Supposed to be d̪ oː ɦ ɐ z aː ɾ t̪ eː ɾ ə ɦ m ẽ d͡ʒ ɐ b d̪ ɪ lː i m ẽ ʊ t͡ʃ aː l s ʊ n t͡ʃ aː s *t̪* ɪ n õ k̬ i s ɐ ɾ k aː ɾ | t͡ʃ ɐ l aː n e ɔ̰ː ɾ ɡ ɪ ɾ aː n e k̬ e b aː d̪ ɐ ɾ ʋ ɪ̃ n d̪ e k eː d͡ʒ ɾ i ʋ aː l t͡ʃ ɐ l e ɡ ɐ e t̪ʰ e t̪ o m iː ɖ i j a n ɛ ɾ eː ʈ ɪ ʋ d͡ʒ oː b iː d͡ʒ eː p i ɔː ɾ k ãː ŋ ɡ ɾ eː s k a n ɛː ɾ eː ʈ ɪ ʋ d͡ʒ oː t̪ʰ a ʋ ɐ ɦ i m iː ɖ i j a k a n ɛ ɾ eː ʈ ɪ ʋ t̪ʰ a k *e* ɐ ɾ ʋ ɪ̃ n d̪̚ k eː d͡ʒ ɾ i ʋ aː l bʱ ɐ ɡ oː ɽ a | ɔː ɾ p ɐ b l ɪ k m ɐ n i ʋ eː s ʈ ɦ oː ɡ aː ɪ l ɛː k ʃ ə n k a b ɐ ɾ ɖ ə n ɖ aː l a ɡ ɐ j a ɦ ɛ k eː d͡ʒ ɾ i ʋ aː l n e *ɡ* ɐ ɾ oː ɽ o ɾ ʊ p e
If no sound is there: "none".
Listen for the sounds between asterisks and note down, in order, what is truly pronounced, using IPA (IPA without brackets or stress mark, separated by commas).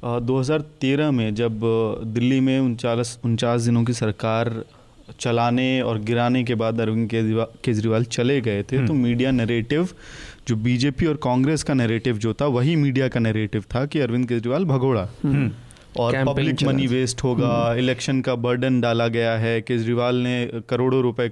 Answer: d̪, i, k